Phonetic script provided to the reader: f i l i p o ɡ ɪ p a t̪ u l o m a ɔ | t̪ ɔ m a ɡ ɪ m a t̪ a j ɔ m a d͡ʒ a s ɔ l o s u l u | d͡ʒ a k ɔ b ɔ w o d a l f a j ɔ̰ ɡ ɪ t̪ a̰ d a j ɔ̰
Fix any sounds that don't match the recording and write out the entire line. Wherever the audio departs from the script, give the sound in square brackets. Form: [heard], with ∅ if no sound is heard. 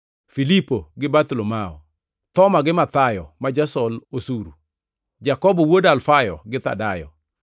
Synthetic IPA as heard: f i l i p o ɡ ɪ [b] a t̪ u l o m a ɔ | t̪ ɔ m a ɡ ɪ m a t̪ a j ɔ m a d͡ʒ a s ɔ l o s u [ɾ] u | d͡ʒ a k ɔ b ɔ w o d a l f a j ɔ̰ ɡ ɪ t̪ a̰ d a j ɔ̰